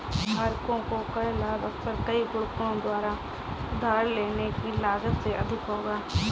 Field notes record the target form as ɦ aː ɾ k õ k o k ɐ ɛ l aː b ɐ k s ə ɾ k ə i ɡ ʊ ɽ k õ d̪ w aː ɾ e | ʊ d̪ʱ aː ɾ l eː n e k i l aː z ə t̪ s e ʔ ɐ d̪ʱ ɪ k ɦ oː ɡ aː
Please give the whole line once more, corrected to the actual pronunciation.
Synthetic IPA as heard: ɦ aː ɾ k õ k o k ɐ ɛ l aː b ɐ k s ə ɾ k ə i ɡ ʊ ɽ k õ d̪ w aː ɾ a | ʊ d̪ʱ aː ɾ l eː n e k i l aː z ə t̪ s e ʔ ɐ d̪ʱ ɪ k ɦ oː ɡ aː